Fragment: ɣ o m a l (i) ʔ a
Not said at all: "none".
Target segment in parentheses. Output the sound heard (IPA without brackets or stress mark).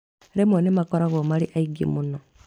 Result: i